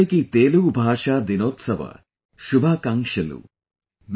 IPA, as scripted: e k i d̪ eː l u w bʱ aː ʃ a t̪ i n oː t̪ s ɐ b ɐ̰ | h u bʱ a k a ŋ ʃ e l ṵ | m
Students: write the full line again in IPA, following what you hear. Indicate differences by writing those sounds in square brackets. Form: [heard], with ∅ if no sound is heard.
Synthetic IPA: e k i [t̪] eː l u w bʱ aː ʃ a [d̪] i n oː t̪ s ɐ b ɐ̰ | [ʃ] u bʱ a k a ŋ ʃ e l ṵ | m